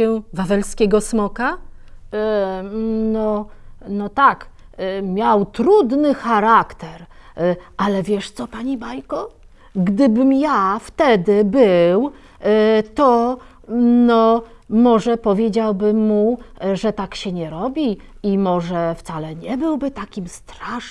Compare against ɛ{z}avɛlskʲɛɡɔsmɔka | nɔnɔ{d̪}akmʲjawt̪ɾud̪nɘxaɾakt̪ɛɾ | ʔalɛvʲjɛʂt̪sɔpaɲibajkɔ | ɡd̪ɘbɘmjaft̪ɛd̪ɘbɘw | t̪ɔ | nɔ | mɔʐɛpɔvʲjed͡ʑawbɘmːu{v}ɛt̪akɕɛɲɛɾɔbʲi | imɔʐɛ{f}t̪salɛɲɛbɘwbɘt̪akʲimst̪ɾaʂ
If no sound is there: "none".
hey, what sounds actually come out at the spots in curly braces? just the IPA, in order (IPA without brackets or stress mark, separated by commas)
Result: v, t̪, ʐ, f